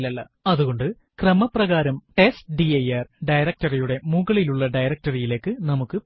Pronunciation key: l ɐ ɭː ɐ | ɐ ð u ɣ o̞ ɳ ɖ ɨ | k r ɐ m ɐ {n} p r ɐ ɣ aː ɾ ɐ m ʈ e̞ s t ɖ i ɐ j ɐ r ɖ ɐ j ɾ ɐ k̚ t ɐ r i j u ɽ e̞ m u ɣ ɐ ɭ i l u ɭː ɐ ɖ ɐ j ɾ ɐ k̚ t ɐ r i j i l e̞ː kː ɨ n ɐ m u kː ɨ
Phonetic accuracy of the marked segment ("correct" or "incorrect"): incorrect